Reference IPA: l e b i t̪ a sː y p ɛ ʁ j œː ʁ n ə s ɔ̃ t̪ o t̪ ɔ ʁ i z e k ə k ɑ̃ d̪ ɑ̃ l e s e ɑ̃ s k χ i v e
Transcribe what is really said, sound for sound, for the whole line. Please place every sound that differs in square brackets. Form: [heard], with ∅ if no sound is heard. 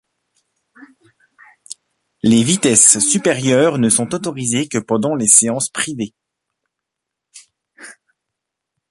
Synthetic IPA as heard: l e [v] i t̪ [ɛ] sː y p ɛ ʁ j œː ʁ n ə s ɔ̃ t̪ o t̪ ɔ ʁ i z e k ə [p] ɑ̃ d̪ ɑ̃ l e s e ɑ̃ s [p] χ i v e